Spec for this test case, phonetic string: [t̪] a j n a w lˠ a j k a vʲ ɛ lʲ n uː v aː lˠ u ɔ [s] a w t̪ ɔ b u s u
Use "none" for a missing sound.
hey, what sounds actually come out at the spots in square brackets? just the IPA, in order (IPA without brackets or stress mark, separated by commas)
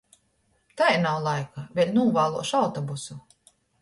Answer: t̪, ʃ